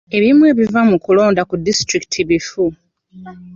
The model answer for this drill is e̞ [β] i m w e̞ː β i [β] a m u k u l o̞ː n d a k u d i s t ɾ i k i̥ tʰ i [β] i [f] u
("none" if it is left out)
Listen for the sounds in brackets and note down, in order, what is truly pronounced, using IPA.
β, v, β, f

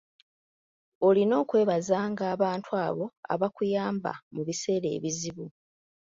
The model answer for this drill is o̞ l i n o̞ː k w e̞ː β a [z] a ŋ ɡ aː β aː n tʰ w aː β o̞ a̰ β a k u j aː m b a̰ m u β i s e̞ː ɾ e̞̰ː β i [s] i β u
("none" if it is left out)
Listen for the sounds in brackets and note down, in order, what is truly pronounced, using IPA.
z, z

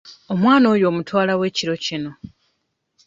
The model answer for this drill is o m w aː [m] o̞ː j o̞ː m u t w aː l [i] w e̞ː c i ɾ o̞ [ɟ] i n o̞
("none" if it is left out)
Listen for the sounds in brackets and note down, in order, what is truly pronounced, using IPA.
n, a, c

